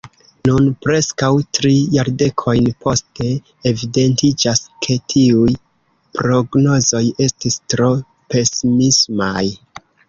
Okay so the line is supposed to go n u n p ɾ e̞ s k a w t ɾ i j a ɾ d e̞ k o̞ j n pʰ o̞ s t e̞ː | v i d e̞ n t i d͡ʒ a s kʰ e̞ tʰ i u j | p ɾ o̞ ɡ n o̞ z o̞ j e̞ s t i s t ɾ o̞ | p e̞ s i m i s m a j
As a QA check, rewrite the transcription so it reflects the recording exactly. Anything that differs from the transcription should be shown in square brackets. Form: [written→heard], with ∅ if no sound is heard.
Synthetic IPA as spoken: n u n p ɾ e̞ s k a w t ɾ i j a ɾ d e̞ [k→kʰ] o̞ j n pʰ o̞ s t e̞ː | v i d e̞ n t i d͡ʒ a s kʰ e̞ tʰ i u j | p ɾ o̞ ɡ n o̞ z o̞ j e̞ s t i s t ɾ o̞ | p e̞ s i m i s m a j